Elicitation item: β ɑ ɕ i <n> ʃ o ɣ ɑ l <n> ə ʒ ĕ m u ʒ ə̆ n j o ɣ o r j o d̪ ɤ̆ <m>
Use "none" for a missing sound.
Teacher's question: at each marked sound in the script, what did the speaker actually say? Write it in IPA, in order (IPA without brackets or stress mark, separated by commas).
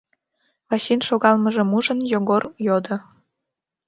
n, m, none